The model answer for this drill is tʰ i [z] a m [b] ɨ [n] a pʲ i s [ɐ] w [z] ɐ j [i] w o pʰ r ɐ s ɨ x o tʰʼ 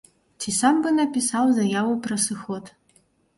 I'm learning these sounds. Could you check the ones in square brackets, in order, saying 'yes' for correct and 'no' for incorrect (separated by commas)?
no, yes, yes, no, yes, no